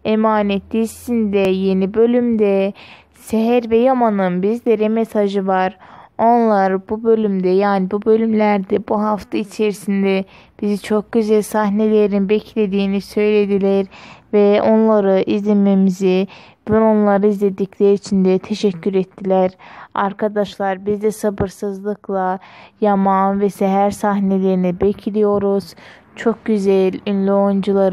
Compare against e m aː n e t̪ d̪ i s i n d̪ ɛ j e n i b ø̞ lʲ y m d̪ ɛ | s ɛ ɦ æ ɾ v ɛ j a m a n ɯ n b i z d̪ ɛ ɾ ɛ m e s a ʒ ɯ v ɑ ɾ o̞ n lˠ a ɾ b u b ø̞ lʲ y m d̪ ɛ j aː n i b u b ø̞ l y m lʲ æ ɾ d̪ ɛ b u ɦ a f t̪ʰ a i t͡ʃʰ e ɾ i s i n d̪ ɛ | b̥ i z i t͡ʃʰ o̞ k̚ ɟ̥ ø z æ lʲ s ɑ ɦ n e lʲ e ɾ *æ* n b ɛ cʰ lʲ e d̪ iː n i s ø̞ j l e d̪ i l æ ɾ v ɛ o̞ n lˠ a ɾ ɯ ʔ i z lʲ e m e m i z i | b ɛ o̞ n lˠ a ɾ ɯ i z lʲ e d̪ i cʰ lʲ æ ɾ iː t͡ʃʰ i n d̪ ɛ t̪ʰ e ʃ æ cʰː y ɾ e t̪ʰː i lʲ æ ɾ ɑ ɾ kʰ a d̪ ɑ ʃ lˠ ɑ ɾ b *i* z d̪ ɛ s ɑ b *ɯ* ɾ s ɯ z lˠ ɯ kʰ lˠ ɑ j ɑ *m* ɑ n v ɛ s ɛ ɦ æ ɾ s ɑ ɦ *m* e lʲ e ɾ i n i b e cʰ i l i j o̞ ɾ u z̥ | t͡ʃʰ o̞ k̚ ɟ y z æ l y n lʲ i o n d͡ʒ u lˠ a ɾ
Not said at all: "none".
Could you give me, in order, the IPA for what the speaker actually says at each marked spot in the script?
i, i, ɯ, m, n

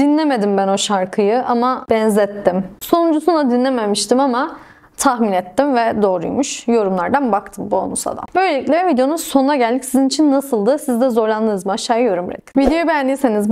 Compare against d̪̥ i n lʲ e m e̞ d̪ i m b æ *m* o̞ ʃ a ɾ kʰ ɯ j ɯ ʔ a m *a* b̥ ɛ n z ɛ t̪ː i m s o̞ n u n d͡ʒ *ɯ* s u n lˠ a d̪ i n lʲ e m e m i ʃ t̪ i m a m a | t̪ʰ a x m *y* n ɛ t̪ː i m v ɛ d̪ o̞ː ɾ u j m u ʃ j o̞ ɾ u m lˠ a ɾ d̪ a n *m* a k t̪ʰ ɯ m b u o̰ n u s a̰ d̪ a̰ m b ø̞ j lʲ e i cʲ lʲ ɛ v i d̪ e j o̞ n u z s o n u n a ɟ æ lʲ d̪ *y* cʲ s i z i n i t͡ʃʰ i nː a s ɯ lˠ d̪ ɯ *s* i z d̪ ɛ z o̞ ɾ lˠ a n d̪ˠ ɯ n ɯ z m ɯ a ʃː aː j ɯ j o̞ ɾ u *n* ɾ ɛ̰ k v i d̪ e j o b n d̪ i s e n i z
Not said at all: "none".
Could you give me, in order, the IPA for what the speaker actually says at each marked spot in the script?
n, a, u, i, b, i, s, m

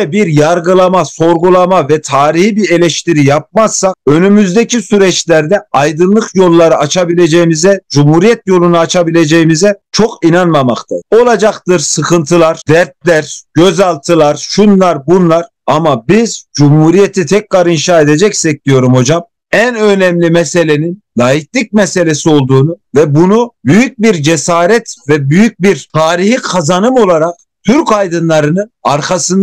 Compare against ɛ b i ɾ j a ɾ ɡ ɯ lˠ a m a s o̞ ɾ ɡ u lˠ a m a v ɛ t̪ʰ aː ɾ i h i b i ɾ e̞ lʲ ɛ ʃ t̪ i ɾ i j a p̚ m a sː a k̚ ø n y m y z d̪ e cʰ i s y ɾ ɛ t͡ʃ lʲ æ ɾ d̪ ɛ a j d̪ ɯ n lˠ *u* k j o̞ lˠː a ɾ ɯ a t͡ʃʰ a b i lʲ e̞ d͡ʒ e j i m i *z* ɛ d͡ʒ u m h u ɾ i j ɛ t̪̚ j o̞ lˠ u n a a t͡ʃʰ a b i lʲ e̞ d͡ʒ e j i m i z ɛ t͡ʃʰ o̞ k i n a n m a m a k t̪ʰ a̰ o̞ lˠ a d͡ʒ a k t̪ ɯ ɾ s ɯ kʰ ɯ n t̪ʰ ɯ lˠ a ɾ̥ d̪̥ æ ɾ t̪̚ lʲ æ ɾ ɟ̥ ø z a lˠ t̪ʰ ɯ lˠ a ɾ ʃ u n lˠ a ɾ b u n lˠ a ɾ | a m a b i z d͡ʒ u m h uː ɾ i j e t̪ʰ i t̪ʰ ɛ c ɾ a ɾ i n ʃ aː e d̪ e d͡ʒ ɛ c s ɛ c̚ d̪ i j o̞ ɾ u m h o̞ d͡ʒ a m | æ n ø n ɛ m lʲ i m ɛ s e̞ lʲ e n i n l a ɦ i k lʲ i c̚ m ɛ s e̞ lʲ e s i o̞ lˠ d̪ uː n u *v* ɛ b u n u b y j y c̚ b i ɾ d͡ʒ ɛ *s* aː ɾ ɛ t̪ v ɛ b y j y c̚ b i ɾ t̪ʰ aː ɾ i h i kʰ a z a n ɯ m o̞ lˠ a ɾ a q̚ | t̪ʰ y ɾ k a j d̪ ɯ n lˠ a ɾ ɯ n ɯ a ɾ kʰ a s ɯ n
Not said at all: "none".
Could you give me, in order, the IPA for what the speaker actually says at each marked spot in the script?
ɯ, z, v, s

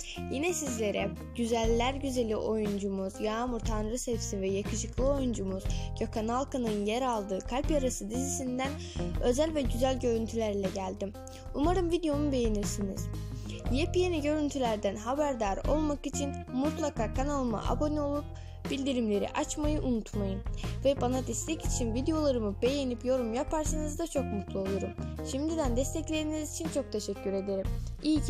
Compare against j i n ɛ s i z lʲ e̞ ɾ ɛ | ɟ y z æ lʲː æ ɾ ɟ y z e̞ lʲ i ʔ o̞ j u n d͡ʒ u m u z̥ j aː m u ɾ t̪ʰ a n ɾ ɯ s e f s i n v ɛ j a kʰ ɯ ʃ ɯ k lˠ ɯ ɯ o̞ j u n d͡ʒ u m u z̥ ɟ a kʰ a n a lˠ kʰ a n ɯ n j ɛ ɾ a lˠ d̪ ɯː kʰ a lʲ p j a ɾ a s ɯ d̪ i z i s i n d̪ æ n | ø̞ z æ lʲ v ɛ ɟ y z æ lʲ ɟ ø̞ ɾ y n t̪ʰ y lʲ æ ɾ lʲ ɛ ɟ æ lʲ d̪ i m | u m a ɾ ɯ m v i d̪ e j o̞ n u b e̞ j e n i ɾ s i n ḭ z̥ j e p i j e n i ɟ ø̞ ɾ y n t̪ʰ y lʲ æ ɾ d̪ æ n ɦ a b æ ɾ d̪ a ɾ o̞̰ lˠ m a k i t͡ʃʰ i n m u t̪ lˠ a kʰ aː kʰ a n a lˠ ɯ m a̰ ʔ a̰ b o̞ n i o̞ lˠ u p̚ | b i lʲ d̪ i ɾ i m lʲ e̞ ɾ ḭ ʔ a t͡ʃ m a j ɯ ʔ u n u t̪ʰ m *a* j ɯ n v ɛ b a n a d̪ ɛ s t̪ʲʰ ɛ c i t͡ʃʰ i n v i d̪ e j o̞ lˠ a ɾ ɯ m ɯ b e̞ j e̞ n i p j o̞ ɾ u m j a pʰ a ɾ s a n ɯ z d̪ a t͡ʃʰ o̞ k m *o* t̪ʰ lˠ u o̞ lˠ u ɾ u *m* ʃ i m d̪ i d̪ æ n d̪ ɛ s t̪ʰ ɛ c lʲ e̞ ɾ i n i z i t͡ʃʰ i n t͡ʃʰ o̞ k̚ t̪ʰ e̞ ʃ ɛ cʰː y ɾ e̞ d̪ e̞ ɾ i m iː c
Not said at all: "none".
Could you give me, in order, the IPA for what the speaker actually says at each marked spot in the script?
a, u, m

